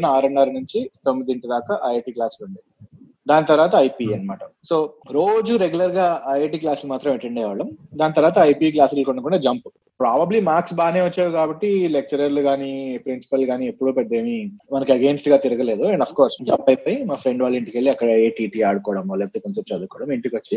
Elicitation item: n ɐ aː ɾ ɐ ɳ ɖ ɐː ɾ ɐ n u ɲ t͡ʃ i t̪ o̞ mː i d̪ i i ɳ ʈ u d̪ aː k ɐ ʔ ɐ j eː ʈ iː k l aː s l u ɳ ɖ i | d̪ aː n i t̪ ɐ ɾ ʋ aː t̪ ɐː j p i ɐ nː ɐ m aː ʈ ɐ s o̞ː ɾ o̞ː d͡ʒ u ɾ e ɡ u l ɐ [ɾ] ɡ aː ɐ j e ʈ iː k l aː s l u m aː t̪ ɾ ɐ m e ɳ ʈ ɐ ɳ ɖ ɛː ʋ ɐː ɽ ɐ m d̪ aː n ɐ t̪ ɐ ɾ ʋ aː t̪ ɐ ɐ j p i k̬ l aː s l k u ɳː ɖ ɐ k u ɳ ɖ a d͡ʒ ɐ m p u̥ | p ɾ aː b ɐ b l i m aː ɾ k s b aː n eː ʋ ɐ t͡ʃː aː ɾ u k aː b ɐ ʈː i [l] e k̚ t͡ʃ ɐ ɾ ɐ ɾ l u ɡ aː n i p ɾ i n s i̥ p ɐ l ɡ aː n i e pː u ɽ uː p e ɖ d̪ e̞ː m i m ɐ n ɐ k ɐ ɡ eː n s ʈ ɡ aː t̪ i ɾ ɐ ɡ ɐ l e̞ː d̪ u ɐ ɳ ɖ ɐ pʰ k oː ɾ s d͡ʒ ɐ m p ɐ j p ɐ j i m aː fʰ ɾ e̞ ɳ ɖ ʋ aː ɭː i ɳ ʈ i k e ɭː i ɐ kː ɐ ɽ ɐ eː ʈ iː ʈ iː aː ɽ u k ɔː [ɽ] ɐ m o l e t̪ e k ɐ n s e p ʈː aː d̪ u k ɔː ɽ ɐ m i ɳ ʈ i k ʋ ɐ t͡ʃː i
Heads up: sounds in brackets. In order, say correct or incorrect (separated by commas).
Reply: correct, correct, correct